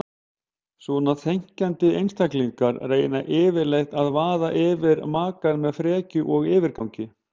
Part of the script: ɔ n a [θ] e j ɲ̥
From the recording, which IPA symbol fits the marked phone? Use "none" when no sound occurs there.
θ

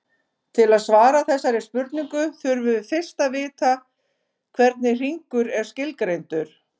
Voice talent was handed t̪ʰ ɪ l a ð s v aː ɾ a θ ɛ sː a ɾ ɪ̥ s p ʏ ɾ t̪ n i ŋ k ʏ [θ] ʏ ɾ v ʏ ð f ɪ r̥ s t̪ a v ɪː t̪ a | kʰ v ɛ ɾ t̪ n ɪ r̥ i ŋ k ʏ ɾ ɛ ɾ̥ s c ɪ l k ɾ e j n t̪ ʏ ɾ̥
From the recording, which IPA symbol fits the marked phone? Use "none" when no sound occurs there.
θ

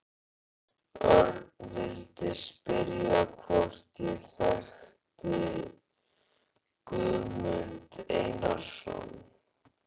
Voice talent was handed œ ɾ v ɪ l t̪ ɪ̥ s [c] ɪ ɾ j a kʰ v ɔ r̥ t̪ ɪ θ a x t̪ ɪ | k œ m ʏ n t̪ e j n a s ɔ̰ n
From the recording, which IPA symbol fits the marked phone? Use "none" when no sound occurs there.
p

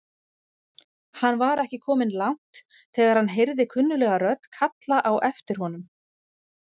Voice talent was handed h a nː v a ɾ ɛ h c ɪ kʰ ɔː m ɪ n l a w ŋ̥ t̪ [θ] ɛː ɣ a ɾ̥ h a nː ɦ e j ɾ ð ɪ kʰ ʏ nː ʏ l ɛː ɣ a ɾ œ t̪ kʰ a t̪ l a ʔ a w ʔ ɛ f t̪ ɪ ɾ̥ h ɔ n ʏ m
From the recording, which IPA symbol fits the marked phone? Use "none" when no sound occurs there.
θ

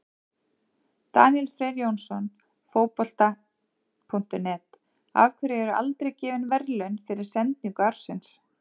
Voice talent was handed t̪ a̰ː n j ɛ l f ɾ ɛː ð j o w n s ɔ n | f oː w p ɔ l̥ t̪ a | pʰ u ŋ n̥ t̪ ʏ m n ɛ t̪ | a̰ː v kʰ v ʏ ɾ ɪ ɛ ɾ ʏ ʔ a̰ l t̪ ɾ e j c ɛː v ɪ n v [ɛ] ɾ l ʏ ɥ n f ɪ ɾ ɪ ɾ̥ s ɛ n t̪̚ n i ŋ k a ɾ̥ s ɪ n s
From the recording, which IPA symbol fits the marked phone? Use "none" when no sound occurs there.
ɛ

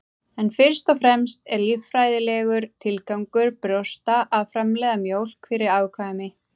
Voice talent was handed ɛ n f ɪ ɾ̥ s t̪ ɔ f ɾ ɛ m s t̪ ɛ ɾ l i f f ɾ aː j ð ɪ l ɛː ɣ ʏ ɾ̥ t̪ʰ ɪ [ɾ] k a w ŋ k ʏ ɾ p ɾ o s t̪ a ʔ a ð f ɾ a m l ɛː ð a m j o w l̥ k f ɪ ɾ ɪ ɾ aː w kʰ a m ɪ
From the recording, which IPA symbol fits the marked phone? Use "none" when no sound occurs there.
l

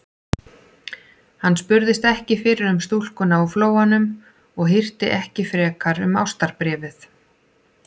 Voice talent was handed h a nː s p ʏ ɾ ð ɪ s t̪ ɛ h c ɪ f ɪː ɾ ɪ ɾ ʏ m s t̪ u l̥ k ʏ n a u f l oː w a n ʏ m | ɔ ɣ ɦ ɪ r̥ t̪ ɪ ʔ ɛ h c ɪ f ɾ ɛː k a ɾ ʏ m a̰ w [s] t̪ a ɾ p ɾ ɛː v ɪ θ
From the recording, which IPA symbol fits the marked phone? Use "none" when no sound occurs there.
s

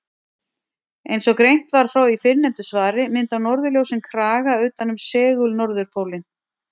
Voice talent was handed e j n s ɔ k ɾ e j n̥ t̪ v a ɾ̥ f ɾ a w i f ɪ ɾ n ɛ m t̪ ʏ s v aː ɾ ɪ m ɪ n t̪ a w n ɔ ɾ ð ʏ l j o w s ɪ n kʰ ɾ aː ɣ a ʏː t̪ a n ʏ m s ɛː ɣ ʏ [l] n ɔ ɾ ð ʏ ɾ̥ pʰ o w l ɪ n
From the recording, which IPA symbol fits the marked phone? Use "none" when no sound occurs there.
l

